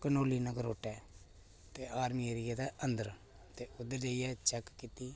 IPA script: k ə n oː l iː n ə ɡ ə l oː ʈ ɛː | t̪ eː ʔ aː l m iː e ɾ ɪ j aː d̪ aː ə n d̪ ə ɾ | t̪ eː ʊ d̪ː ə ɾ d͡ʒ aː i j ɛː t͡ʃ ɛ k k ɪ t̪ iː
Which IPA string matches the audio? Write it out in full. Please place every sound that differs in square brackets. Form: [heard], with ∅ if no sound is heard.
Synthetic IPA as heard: k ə n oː l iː n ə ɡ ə [ɾ] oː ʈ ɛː | t̪ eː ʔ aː [ɾ] m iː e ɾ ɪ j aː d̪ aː ə n d̪ ə ɾ | t̪ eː ʊ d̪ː ə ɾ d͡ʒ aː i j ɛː t͡ʃ ɛ k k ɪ t̪ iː